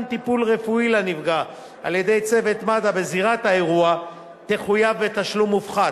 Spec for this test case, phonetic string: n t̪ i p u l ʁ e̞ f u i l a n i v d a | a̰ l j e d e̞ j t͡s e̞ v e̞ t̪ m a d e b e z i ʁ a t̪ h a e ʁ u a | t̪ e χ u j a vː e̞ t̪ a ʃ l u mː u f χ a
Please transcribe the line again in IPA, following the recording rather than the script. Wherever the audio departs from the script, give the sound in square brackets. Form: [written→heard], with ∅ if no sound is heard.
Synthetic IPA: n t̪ i p u l ʁ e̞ f u i l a n i v [d→ɡ] a | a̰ l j e d e̞ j t͡s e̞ v e̞ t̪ m a d [e→a] b e z i ʁ a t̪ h a e ʁ u a | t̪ e χ u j a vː e̞ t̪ a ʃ l u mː u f χ a